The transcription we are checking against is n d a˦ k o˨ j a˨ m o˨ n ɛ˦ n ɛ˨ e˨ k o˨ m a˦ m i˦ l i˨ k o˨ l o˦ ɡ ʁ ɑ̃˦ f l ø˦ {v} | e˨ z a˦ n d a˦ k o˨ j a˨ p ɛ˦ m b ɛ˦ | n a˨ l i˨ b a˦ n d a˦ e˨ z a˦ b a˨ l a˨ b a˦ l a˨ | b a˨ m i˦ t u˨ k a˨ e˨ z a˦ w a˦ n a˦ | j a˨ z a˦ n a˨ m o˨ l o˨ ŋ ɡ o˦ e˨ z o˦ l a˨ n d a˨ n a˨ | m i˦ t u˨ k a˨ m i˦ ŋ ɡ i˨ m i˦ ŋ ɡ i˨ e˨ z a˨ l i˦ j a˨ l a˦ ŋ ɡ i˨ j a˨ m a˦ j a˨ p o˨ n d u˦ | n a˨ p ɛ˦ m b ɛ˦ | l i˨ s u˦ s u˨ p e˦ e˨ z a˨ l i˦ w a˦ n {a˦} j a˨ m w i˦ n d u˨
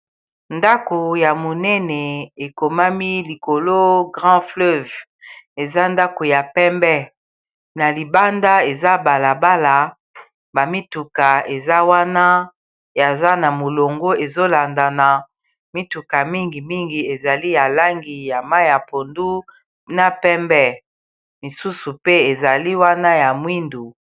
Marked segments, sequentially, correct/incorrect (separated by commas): correct, correct